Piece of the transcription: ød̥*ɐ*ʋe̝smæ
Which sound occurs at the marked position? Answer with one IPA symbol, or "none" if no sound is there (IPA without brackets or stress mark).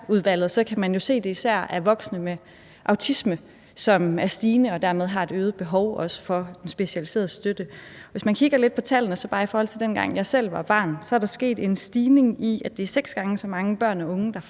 ə